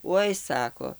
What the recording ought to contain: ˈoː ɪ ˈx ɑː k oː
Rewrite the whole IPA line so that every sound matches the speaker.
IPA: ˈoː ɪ ˈs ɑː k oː